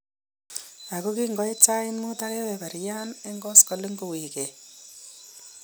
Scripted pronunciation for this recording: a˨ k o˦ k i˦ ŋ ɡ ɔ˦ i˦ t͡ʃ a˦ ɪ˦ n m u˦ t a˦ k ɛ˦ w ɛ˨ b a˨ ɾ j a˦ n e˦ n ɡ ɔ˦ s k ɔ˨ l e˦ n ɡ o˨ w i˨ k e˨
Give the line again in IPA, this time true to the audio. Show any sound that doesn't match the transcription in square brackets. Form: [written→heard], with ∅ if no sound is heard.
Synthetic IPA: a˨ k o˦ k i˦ ŋ ɡ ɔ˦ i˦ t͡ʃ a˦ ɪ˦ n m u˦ t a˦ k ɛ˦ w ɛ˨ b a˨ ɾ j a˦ n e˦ [n→ŋ] ɡ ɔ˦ s k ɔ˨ l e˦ [n→ŋ] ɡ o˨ w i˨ k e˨